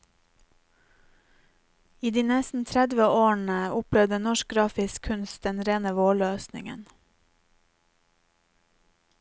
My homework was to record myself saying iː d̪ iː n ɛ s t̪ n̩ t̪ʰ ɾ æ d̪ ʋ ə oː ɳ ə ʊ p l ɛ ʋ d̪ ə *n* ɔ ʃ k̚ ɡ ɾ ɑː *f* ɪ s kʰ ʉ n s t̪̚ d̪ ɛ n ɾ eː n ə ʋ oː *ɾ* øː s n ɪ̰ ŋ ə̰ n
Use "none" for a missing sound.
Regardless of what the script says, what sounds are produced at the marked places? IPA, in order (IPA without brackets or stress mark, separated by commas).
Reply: n, f, ɭ